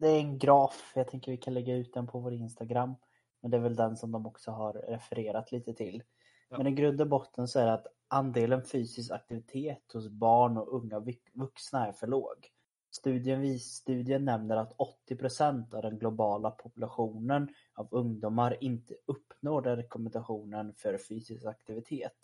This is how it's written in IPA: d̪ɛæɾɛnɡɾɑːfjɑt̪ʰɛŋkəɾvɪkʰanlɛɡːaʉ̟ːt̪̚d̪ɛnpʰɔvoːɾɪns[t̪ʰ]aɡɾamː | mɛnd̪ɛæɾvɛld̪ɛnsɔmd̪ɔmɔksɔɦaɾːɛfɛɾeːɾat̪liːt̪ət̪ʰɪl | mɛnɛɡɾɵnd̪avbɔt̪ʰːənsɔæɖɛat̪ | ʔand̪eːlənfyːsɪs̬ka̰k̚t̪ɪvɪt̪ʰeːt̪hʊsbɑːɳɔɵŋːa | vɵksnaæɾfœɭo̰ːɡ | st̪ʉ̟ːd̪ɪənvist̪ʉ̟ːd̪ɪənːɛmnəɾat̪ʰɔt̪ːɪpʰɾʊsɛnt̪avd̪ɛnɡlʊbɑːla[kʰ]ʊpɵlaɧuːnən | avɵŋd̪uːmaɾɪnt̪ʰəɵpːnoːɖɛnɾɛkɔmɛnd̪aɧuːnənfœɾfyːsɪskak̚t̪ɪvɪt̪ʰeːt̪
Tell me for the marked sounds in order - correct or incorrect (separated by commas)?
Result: incorrect, incorrect